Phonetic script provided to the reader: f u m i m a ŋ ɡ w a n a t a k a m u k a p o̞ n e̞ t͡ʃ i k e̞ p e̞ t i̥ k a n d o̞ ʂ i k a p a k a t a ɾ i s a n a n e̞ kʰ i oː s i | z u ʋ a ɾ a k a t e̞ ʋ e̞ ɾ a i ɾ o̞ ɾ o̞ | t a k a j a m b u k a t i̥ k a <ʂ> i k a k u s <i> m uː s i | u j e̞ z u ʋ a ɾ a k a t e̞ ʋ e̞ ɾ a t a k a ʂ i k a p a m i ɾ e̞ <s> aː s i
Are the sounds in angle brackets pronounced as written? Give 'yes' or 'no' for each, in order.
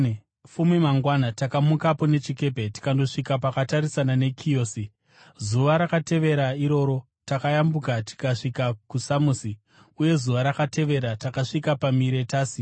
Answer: yes, no, no

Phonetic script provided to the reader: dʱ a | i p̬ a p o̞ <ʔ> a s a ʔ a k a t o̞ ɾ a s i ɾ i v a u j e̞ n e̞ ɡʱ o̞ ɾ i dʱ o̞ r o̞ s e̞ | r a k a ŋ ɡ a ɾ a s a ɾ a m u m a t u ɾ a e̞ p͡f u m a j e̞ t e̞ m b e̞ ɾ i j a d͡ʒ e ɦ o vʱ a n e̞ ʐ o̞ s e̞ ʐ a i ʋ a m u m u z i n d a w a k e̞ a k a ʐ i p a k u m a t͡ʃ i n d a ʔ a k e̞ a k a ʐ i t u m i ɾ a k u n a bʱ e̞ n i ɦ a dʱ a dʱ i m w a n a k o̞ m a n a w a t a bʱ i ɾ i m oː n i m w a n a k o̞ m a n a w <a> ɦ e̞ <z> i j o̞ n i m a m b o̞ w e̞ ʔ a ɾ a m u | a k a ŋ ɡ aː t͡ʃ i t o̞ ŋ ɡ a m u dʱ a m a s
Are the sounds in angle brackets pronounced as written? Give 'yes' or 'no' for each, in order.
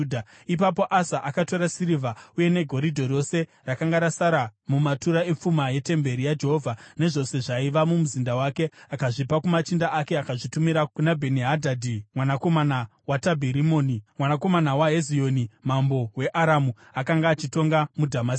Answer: yes, yes, yes

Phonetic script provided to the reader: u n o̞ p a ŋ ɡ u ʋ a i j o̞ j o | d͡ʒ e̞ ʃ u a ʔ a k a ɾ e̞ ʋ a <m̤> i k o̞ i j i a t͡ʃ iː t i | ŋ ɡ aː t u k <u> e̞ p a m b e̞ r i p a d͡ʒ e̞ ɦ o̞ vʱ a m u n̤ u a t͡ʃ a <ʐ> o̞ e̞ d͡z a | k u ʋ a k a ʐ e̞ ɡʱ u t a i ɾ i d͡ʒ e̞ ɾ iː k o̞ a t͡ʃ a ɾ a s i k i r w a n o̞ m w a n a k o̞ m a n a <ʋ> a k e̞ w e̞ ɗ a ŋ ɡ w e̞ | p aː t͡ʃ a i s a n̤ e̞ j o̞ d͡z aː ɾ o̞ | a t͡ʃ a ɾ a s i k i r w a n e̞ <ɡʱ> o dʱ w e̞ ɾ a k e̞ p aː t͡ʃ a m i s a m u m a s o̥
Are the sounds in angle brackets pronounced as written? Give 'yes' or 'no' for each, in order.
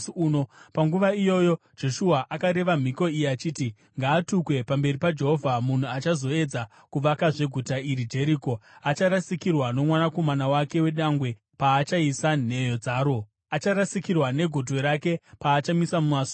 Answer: yes, no, no, no, yes

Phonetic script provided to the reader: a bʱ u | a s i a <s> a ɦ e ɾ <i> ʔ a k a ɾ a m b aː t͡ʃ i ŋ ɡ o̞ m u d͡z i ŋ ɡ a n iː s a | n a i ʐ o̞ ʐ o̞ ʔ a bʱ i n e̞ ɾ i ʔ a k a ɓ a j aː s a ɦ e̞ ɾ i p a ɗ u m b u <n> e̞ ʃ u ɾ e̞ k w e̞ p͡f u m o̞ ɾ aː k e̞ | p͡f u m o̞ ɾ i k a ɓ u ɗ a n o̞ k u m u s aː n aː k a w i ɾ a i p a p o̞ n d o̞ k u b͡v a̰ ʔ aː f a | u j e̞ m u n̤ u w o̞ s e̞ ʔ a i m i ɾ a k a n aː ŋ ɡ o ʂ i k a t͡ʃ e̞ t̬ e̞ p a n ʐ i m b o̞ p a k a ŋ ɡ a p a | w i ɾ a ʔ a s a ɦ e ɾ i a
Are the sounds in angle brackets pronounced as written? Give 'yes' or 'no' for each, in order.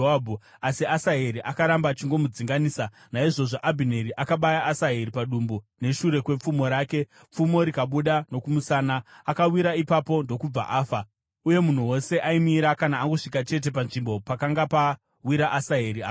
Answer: yes, yes, yes

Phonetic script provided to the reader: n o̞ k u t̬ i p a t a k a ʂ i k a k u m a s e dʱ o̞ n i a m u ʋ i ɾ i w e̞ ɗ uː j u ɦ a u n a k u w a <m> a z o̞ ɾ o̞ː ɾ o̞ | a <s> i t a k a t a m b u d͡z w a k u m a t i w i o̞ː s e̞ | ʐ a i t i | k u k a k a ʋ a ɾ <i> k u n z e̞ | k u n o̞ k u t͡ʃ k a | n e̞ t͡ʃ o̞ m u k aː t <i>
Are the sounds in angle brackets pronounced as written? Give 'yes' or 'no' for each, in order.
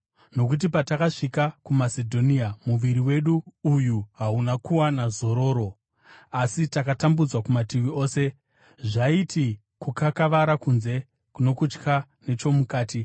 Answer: no, yes, no, yes

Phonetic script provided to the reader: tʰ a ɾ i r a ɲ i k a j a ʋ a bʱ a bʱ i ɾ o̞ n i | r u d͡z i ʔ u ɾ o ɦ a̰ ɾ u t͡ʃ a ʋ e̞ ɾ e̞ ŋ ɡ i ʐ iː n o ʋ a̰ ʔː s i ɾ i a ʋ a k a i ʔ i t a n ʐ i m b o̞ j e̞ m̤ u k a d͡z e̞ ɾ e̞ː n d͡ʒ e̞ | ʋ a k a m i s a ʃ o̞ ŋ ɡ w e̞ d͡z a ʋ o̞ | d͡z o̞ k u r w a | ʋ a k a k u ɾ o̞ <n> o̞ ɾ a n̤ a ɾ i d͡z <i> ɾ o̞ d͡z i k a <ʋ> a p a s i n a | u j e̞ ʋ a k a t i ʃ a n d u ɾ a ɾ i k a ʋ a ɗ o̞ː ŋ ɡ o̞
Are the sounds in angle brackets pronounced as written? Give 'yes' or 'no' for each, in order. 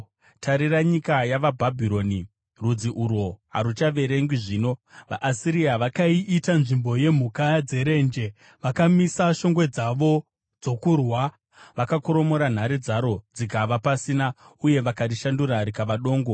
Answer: no, no, yes

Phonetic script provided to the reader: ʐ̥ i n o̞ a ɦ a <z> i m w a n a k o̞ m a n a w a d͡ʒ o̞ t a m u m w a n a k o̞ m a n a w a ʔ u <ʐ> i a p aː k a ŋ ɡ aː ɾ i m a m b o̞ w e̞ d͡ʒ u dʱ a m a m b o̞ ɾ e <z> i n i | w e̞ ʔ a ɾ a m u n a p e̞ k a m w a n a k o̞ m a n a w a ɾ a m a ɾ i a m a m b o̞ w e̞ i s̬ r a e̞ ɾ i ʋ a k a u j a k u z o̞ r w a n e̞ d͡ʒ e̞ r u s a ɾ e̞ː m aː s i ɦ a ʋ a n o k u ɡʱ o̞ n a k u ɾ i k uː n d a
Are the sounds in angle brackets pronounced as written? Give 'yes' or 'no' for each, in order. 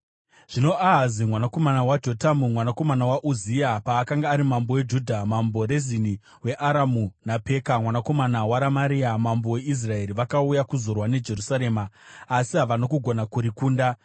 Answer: yes, no, yes

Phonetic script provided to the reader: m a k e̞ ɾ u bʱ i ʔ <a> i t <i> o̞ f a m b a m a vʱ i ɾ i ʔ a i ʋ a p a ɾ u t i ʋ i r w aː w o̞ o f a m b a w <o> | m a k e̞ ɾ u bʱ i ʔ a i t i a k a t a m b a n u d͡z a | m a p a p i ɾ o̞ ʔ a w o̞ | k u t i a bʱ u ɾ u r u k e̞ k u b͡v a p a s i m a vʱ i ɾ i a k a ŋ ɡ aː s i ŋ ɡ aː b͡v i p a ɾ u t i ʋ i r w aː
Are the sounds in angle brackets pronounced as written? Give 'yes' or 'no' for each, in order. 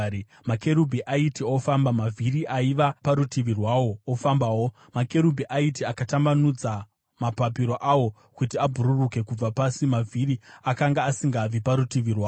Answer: yes, yes, yes

